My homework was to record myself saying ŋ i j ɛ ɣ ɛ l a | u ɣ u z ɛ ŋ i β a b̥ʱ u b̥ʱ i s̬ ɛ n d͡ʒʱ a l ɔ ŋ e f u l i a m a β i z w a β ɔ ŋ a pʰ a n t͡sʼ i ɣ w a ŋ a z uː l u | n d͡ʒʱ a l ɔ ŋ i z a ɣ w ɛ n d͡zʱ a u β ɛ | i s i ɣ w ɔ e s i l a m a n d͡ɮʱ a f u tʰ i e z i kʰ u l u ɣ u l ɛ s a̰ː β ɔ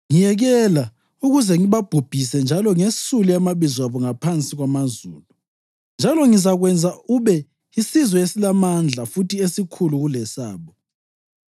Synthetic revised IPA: ŋ i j ɛ ɣ ɛ l a | u ɣ u z ɛ ŋ i β a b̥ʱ u b̥ʱ i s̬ ɛ n d͡ʒʱ a l ɔ ŋ e s u l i a m a β i z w a β ɔ ŋ a pʰ a n t͡sʼ i ɣ w a m a z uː l u | n d͡ʒʱ a l ɔ ŋ i z a ɣ w ɛ n d͡zʱ a u β ɛ | i s i z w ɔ e s i l a m a n d͡ɮʱ a f u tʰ i e s i kʰ u l u ɣ u l ɛ s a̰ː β ɔ